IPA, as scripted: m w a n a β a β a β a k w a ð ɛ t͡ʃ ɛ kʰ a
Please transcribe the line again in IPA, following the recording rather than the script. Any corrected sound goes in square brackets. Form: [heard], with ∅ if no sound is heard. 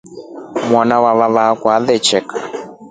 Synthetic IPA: m w a n a [w] a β a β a k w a ð ɛ t͡ʃ ɛ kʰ a